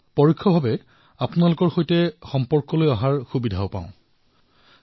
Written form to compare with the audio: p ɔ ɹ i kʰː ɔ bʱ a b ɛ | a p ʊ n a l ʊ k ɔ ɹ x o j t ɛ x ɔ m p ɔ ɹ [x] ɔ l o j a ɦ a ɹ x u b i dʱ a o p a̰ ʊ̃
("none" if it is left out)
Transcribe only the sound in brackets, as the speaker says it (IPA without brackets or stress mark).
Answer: k